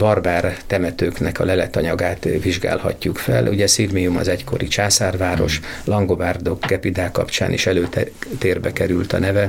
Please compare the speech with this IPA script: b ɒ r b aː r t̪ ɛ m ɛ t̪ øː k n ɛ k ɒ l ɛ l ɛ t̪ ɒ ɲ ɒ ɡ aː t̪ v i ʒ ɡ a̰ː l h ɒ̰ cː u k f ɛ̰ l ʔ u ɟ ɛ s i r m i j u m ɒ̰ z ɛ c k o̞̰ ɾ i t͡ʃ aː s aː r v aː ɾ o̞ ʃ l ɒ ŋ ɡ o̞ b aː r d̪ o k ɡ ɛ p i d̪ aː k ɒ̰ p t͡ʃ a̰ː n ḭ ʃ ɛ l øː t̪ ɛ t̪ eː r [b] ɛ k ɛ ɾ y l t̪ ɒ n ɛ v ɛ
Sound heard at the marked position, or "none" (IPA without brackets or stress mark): b